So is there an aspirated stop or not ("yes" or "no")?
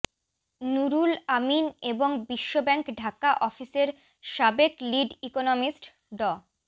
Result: no